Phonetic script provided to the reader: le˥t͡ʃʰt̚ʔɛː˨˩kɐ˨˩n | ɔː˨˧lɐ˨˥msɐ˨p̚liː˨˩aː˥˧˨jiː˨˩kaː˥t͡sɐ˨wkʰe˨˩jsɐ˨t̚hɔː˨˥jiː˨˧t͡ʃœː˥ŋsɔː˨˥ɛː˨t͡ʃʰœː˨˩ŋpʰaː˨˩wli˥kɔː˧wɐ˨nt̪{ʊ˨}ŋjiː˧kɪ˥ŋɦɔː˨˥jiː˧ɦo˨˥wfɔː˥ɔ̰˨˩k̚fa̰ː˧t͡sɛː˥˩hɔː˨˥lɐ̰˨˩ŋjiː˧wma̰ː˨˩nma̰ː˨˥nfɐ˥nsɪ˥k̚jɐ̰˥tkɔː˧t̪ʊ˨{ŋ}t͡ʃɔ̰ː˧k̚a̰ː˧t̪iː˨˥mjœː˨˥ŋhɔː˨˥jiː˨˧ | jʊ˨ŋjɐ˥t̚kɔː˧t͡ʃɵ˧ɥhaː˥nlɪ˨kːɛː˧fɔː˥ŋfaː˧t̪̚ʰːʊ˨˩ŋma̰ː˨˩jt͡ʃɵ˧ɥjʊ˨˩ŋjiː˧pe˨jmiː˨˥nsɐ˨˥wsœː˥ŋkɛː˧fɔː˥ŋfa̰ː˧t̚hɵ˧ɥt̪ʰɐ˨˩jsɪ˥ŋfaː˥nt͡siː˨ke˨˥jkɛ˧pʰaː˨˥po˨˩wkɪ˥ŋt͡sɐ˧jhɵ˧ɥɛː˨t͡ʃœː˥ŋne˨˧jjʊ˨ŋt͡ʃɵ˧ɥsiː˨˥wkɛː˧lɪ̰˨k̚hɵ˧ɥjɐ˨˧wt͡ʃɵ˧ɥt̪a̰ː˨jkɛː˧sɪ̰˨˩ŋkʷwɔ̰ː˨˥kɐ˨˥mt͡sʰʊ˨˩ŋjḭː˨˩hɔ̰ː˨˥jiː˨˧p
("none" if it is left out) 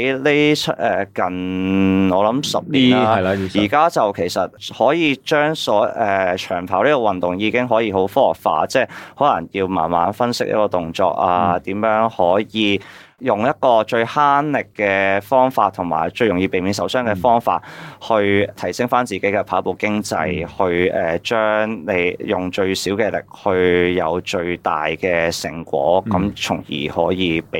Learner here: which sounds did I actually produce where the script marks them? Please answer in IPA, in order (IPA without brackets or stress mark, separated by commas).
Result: ʊ˨, ŋ